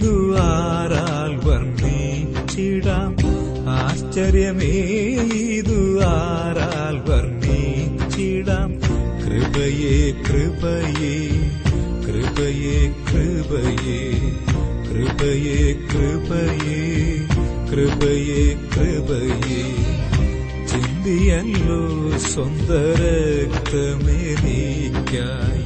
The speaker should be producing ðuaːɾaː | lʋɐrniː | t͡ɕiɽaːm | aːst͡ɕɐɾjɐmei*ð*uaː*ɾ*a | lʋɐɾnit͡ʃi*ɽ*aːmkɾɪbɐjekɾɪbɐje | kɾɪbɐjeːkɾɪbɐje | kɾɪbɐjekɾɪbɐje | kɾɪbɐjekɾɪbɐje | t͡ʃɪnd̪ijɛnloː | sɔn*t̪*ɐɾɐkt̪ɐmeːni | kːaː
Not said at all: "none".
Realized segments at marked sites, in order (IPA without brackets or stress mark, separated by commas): ð, ɾ, ɽ, d̪